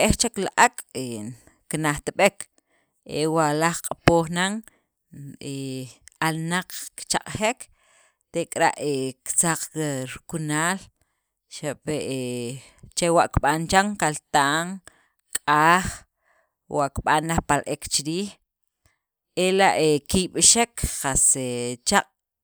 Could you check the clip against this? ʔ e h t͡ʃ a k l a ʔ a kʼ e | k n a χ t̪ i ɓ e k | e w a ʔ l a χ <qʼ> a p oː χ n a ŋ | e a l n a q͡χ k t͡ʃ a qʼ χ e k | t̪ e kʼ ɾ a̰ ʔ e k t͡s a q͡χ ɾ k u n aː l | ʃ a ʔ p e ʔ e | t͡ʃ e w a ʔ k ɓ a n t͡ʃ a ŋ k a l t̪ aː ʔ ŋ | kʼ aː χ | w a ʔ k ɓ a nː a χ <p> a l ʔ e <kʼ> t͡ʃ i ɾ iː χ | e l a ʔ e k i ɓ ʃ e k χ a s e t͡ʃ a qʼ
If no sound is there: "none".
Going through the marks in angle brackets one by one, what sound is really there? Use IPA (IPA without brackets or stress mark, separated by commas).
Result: qʼ, p, k